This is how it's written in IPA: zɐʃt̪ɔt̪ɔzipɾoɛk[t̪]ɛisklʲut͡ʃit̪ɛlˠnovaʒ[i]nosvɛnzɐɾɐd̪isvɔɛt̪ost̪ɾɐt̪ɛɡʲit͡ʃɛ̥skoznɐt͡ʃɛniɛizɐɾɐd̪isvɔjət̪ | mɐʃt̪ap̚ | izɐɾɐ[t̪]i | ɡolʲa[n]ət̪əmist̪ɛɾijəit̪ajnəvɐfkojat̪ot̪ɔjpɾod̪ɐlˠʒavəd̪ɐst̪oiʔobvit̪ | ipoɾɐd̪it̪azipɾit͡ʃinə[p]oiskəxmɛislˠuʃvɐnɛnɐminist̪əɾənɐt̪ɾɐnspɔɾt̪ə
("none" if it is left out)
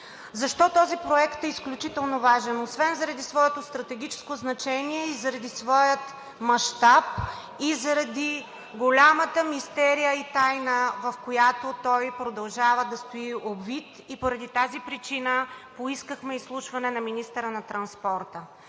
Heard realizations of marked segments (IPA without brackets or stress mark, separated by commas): t̪, ɛ, d̪, m, p